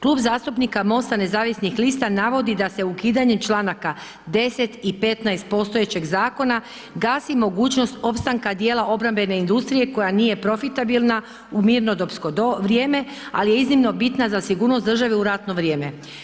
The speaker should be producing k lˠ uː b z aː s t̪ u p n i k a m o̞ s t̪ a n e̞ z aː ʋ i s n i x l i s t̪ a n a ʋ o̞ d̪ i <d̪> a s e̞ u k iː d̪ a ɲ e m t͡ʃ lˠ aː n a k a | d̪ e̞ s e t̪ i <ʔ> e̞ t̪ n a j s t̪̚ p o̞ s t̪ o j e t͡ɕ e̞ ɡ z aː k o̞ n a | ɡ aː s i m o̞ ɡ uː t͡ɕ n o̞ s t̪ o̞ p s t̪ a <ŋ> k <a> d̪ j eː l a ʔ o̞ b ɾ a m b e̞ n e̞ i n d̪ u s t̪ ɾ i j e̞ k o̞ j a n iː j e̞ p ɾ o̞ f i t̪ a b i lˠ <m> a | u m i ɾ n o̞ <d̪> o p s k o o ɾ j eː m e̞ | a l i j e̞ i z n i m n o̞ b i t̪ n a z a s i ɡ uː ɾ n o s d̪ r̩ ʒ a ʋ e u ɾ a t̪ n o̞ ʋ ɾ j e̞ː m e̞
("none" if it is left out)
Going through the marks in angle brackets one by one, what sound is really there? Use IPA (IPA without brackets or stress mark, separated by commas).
d̪, p, ŋ, a, n, d̪